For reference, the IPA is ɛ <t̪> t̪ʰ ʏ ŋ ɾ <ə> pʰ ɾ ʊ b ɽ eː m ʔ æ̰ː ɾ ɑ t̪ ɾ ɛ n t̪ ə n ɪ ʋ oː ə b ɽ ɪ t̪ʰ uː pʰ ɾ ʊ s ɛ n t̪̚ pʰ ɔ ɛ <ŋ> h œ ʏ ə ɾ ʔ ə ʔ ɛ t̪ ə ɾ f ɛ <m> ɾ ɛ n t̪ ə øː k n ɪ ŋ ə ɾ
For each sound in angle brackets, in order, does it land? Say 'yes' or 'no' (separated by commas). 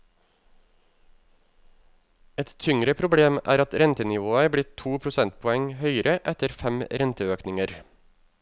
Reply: yes, yes, yes, yes